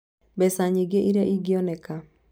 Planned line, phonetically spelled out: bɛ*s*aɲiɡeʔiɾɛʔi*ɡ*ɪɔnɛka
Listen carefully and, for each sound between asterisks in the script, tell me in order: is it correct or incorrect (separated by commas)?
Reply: correct, correct